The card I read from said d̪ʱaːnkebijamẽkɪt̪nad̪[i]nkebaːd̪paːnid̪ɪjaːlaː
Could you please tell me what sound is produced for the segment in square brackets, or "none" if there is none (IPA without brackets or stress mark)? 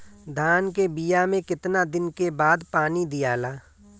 ɪ